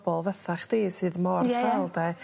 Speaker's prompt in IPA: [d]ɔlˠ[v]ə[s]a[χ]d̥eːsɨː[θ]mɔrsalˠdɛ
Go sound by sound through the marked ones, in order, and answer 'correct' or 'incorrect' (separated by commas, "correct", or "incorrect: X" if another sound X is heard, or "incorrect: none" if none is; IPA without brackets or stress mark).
incorrect: b, correct, incorrect: θ, correct, incorrect: ð